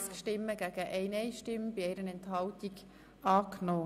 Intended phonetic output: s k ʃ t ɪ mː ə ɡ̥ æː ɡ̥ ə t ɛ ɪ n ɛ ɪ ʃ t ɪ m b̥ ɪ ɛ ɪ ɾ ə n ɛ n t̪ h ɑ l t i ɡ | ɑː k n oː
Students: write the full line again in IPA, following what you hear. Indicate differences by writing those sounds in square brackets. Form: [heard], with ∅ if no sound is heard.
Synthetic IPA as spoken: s k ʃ t ɪ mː ə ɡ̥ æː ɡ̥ ə [ʔ] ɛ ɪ n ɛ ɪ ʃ t ɪ m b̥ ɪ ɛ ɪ ɾ ə n ɛ n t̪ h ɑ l t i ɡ | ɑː k n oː